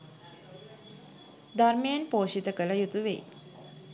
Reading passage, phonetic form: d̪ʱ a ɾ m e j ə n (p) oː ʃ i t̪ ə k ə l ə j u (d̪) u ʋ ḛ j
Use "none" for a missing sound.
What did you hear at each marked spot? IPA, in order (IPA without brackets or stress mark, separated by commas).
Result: p, t̪